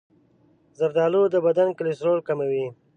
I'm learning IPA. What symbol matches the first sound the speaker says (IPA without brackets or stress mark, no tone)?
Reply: z